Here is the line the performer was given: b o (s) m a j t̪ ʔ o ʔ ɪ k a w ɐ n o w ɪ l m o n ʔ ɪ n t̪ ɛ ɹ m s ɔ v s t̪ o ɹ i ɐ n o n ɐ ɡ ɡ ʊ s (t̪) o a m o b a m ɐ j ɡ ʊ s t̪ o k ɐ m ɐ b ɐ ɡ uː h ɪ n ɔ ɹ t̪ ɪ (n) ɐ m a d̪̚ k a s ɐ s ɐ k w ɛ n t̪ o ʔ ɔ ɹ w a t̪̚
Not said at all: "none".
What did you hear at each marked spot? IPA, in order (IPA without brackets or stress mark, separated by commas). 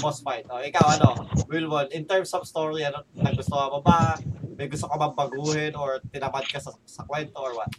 s, t̪, n